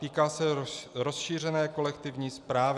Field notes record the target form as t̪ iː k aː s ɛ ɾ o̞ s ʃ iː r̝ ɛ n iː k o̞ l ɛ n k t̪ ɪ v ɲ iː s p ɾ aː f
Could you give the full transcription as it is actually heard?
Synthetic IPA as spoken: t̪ iː k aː s ɛ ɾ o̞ s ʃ iː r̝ ɛ n ɛː k o̞ l ɛ k t̪ ɪ v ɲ iː s p ɾ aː v